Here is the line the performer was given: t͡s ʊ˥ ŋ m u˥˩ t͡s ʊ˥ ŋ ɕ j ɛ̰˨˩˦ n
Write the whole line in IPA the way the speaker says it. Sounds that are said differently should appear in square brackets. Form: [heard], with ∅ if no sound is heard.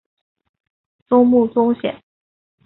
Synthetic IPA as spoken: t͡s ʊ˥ ŋ m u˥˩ t͡s ʊ˥ ŋ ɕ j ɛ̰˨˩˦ n